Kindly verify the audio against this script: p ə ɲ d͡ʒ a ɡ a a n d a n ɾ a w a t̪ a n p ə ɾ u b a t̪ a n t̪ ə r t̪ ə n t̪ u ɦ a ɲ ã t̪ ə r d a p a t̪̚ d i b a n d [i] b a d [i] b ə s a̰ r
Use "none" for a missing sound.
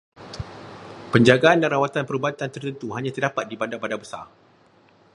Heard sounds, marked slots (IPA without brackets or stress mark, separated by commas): a, a